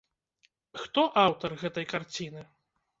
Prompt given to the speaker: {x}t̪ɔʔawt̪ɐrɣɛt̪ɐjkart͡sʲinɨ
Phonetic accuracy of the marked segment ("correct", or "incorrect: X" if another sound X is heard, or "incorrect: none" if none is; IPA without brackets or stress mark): correct